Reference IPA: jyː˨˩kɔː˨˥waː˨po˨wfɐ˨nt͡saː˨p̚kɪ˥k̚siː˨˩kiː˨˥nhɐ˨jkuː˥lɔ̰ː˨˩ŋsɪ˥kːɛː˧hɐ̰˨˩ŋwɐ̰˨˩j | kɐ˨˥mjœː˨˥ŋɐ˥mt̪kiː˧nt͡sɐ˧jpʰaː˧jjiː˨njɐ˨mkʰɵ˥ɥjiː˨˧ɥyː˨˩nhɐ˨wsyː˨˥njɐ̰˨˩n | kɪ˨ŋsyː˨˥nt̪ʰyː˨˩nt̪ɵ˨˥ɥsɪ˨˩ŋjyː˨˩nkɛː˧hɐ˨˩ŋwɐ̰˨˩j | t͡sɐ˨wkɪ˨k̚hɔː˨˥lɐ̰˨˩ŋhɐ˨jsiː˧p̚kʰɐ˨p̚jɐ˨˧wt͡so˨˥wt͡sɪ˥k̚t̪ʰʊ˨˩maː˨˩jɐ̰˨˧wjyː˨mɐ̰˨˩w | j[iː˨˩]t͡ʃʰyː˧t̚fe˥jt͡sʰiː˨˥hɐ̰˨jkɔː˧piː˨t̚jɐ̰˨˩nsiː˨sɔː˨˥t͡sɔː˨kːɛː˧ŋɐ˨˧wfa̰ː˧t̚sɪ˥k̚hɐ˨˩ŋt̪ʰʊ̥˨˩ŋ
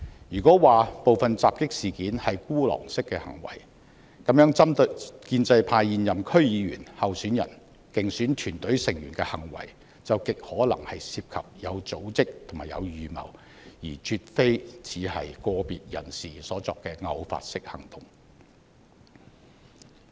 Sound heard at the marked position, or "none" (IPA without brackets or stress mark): iː˨˩